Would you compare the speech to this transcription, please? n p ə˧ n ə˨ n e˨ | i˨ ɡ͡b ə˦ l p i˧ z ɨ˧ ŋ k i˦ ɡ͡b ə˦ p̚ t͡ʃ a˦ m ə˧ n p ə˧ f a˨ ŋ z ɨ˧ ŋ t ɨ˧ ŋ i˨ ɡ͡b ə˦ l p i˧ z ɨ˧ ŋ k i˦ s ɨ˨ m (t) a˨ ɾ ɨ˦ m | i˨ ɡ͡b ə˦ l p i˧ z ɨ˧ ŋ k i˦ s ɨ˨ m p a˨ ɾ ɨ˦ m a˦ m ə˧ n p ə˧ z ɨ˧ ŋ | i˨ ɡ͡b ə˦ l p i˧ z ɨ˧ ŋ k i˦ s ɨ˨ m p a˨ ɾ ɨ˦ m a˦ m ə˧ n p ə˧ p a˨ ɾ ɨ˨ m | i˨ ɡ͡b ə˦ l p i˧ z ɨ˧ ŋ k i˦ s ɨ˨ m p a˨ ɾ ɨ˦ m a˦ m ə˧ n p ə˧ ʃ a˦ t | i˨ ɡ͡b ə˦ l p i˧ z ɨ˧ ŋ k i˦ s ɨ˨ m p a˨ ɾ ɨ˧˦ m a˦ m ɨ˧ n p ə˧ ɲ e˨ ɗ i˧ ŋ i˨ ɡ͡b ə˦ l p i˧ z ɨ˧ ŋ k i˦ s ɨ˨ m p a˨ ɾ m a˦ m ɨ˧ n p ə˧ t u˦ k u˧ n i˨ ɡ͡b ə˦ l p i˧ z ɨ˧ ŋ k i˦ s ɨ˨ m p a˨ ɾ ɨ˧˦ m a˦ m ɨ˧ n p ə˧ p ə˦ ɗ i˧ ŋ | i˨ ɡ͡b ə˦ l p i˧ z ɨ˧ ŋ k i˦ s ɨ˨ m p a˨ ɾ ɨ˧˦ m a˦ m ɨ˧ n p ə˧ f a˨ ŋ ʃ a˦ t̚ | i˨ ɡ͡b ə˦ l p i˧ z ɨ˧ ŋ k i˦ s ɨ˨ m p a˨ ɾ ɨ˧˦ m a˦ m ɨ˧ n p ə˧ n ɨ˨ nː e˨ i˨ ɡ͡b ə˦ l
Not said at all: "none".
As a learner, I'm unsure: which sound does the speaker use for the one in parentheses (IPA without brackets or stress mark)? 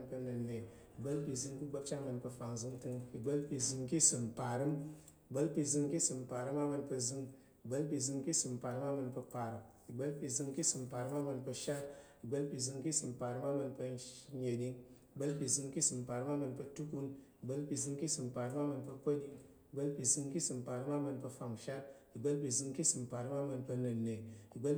p